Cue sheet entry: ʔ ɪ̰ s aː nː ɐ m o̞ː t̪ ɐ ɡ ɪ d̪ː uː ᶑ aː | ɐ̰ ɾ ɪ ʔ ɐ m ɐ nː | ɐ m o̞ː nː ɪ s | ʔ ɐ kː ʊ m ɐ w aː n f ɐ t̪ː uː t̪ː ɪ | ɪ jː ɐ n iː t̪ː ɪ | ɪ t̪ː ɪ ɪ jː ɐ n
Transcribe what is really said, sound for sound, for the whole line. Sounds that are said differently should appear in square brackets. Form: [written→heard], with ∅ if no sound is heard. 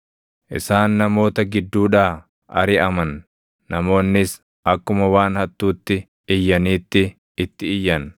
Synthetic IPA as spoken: ʔ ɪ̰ s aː nː ɐ m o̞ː t̪ ɐ ɡ ɪ d̪ː uː ᶑ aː | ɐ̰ ɾ ɪ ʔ ɐ m ɐ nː | ɐ m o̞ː nː ɪ s | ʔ ɐ kː ʊ m ɐ w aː n [f→h] ɐ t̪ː uː t̪ː ɪ | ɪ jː ɐ n iː t̪ː ɪ | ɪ t̪ː ɪ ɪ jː ɐ n